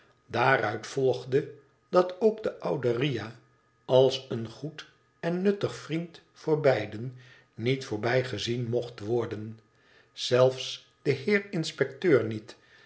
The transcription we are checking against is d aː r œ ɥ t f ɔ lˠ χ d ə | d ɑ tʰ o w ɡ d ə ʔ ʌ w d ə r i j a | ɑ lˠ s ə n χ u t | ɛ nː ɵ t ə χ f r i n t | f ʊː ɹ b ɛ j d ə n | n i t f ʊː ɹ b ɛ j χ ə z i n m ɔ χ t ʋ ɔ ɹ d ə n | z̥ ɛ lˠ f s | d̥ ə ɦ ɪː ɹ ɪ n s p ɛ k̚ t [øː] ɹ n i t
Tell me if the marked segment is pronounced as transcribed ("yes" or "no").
yes